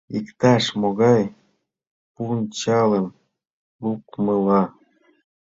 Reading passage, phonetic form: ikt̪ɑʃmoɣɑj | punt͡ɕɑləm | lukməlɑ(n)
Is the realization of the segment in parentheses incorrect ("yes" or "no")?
yes